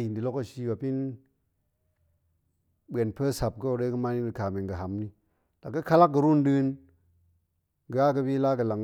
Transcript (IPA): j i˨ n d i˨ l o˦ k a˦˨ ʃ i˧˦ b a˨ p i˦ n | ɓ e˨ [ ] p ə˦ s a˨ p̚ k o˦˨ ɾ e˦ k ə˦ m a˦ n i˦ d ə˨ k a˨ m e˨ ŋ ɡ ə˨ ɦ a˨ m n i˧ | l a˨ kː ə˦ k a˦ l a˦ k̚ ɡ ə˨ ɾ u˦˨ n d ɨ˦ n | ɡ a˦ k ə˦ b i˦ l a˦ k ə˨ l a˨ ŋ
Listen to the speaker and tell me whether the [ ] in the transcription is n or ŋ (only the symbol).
n